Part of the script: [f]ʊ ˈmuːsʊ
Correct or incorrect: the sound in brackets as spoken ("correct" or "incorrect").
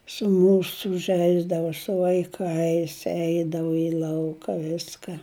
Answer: incorrect